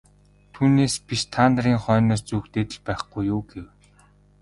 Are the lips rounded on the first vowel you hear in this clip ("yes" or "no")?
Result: yes